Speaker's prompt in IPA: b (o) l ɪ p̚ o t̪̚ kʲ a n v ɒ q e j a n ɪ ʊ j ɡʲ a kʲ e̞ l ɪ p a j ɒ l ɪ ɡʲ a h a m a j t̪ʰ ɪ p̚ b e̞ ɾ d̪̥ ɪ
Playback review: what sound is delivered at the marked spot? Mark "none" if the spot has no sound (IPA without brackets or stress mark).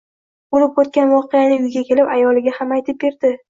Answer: o